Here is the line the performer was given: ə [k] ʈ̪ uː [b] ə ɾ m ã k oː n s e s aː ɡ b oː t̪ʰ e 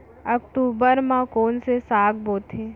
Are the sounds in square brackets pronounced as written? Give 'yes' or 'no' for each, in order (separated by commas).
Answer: yes, yes